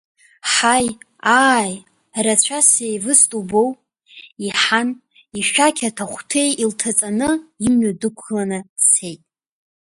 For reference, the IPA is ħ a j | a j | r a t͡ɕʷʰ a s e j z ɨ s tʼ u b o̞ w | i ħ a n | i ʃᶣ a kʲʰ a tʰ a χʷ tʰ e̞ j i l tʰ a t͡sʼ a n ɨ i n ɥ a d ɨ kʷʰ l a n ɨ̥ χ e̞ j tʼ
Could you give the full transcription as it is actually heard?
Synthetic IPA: ħ a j | a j | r a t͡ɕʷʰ a s e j v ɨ s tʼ u b o̞ w | i ħ a n | i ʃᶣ a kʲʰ a tʰ a χʷ tʰ e̞ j i l tʰ a t͡sʼ a n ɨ i m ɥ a d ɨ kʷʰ l a n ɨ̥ s e̞ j tʼ